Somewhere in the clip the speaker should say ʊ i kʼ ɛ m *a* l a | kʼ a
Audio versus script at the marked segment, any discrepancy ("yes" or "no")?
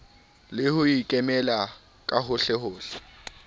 yes